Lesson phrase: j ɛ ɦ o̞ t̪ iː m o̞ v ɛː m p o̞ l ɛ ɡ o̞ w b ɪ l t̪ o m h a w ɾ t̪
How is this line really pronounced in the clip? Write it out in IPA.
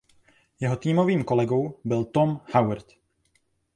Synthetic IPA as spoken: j ɛ ɦ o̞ t̪ iː m o̞ v iː m k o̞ l ɛ ɡ o̞ w b ɪ l t̪ o m h a w ɾ t̪